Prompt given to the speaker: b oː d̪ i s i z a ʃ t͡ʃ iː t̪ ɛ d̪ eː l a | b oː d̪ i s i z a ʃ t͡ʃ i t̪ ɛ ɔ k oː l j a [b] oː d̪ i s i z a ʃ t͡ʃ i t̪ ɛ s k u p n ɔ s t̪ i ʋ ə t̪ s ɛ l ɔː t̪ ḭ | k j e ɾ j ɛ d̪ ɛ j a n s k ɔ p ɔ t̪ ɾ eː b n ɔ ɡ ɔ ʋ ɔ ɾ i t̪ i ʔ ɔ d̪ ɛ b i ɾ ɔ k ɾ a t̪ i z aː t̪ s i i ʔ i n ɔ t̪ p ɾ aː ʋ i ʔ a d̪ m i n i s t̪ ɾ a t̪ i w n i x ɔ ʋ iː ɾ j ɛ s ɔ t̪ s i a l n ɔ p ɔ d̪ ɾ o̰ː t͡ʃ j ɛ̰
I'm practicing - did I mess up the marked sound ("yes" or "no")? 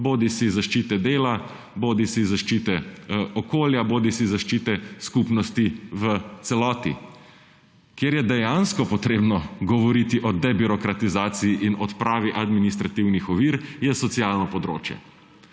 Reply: no